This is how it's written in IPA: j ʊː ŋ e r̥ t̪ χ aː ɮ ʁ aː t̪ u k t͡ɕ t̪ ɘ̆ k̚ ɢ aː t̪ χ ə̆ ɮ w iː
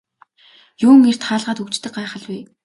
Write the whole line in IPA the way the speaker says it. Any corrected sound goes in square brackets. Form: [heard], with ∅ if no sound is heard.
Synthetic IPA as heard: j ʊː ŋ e r̥ t̪ χ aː ɮ ʁ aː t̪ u k t͡ɕ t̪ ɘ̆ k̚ ɢ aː [∅] χ ə̆ ɮ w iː